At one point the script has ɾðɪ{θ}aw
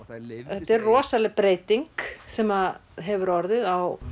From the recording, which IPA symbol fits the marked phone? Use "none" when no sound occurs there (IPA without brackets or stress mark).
ð